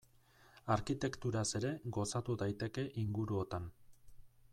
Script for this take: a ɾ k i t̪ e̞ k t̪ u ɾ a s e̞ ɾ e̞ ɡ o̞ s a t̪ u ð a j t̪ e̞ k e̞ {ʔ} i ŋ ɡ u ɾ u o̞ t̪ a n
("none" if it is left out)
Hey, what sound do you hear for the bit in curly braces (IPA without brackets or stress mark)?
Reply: ʔ